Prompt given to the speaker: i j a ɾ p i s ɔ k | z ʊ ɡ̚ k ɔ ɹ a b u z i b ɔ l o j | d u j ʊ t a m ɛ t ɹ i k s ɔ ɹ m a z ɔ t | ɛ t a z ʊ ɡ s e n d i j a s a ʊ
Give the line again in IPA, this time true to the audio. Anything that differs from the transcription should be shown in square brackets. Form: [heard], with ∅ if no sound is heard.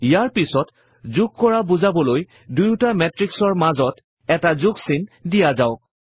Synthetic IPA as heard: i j a [ɹ] p i s ɔ [t] | z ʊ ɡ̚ k ɔ ɹ a b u z [a] b ɔ l o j | d u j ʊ t a m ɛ t ɹ i k s ɔ ɹ m a z ɔ t | ɛ t a z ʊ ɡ s [i] n d i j a [z] a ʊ